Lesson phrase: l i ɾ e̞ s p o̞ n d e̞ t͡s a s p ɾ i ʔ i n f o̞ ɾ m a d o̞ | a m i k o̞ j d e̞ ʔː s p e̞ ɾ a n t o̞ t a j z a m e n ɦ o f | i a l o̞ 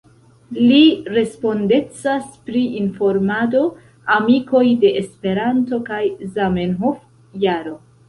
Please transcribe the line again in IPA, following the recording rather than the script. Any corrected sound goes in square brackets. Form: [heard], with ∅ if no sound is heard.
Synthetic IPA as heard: l i ɾ e̞ s p o̞ n d e̞ t͡s a s p ɾ i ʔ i n f o̞ ɾ m a d o̞ | a m i k o̞ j d e̞ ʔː s p e̞ ɾ a n t o̞ [k] a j z a m e n ɦ o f | [j] a [ɾ] o̞